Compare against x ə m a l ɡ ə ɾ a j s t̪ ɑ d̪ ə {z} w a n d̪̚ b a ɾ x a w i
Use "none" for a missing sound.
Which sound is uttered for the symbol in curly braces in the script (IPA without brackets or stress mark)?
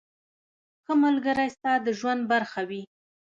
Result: ʒ